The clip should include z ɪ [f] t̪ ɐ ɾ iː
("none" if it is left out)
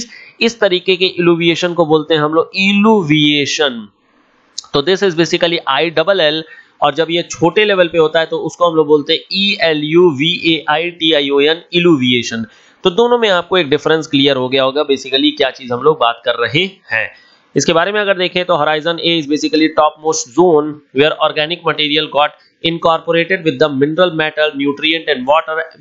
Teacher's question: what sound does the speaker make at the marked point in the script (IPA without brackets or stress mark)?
s